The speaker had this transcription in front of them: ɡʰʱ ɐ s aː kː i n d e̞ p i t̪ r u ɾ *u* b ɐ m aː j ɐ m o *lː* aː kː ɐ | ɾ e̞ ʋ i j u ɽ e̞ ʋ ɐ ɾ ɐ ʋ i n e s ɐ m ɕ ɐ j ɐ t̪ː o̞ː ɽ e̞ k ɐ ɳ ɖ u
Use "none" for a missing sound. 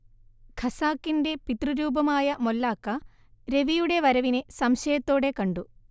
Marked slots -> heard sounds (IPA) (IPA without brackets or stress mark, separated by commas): uː, lː